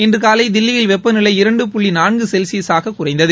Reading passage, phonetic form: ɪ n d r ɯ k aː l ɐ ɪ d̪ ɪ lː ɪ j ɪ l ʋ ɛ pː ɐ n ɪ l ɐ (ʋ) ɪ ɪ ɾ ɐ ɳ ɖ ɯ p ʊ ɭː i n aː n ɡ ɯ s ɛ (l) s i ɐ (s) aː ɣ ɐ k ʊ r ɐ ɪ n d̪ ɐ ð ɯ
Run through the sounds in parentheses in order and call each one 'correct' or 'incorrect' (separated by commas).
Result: incorrect, correct, correct